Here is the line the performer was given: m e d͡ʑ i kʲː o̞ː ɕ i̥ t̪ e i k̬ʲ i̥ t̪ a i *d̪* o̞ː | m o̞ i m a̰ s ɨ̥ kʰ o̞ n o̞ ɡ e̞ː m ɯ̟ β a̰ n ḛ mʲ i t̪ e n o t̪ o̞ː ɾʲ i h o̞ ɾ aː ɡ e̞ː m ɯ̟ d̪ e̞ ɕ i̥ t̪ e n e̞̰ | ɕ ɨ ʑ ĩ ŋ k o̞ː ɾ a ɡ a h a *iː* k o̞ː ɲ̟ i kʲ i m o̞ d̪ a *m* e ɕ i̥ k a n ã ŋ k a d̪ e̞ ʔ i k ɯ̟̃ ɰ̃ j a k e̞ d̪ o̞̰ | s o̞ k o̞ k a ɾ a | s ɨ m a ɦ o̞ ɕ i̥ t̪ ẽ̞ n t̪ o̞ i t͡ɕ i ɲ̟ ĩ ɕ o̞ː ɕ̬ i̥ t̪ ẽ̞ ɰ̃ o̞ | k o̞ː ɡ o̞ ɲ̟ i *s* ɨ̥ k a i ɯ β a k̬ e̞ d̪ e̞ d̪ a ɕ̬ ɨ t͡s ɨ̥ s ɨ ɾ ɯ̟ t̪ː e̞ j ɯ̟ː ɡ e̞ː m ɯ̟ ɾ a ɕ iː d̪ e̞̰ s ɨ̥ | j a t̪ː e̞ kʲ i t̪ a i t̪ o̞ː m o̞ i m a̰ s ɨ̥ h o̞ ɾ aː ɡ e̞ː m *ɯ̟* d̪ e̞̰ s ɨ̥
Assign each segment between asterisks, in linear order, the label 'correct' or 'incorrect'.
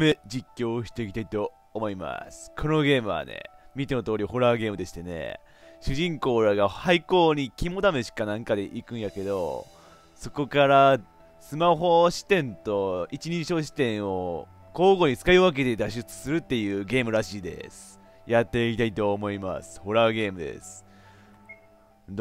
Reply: incorrect, incorrect, correct, incorrect, correct

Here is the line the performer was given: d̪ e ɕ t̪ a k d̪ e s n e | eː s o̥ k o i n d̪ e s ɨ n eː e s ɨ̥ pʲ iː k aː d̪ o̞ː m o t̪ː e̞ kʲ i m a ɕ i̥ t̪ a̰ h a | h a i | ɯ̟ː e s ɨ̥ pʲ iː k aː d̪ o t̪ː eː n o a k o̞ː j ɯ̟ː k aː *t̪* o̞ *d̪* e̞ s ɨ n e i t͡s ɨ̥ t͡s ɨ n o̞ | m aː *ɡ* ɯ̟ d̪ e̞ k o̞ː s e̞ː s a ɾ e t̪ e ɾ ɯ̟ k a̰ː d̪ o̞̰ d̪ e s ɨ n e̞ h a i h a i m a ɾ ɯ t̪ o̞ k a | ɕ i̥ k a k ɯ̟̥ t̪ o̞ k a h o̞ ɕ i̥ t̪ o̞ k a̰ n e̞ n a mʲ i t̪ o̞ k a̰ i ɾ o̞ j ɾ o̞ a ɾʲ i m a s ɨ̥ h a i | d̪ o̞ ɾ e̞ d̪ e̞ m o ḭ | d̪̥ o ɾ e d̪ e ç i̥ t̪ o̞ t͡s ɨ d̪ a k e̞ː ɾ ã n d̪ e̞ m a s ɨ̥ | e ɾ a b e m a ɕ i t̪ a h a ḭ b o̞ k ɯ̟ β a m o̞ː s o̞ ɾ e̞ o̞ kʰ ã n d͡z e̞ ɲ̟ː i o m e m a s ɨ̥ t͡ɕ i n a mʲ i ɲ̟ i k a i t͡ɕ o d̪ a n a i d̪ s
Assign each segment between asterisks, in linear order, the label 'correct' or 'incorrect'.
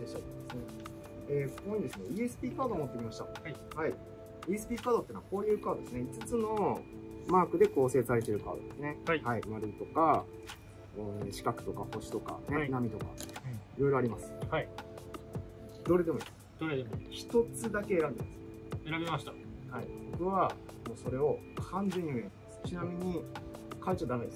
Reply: incorrect, correct, incorrect

